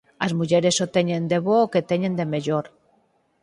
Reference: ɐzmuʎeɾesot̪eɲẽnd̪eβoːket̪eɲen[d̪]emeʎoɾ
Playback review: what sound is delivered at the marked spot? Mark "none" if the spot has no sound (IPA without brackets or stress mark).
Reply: d̪